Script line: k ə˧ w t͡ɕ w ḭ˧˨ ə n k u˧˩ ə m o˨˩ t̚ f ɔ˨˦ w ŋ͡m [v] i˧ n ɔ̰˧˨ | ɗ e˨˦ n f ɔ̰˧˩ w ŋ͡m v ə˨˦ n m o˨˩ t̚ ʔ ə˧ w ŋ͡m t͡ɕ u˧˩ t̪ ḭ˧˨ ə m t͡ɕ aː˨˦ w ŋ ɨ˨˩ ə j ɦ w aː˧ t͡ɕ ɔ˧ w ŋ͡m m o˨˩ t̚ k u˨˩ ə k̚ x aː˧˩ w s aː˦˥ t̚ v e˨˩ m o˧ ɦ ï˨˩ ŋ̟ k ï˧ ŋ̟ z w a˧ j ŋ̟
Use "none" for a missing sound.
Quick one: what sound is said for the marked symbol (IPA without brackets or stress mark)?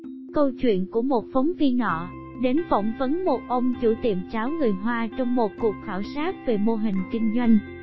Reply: v